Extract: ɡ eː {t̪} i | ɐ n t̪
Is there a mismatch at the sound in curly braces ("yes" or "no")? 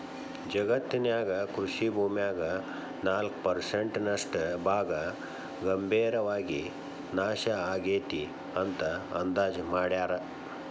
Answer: no